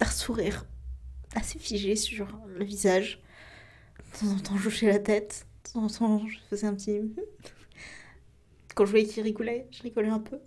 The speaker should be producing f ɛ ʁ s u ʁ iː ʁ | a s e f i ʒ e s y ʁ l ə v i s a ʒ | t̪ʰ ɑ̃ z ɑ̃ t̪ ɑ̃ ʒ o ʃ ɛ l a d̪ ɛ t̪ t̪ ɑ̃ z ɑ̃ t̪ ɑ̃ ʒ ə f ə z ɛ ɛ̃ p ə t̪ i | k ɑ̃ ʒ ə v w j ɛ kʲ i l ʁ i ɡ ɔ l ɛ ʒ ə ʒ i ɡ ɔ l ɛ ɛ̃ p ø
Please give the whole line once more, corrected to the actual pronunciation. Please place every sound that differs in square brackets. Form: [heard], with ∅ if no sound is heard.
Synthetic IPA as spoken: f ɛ ʁ s u ʁ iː ʁ | a s e f i ʒ e s y ʁ l ə v i [z] a ʒ | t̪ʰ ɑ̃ z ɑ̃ t̪ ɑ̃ ʒ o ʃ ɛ l a [t̪] ɛ t̪ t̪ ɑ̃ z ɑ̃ t̪ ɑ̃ ʒ ə f ə z ɛ ɛ̃ p ə t̪ i | k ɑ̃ ʒ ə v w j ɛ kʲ i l ʁ i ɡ ɔ l ɛ ʒ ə [ʁ] i ɡ ɔ l ɛ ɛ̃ p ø